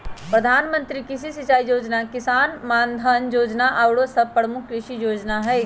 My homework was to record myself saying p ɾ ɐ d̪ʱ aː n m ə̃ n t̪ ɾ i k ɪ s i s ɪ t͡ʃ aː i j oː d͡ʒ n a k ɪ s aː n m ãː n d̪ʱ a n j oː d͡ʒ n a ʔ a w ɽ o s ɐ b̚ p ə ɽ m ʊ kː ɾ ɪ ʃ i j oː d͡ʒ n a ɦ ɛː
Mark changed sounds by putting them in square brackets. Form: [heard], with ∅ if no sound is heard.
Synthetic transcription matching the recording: p ɾ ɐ d̪ʱ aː n m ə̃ n t̪ ɾ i k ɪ s i s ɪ t͡ʃ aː i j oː d͡ʒ n a k ɪ s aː n m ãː n d̪ʱ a n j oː d͡ʒ n a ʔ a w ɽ o s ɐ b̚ p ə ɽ m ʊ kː ɾ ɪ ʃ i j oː d͡ʒ n a ɦ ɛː